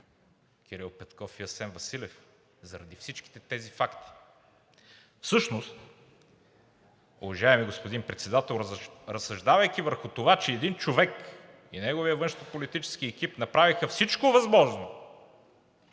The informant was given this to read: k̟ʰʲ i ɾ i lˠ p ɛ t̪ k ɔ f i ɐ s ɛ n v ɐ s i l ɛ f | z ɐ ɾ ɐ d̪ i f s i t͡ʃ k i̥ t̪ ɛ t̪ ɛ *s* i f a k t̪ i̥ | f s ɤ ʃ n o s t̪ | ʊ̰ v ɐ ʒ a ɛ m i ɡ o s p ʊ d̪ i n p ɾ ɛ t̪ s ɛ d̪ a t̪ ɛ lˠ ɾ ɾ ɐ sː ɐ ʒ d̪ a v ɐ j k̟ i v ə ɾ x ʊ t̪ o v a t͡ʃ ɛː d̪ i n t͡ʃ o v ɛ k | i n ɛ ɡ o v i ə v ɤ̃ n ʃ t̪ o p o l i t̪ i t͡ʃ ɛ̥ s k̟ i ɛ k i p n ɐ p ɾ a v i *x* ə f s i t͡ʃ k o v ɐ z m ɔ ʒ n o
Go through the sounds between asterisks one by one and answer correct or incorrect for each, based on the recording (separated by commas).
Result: incorrect, correct